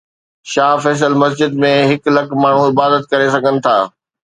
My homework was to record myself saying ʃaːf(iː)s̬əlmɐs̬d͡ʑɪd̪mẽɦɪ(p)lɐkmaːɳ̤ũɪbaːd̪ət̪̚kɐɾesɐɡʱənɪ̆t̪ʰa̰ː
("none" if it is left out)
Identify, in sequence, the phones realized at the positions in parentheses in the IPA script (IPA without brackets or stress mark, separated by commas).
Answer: ɛː, k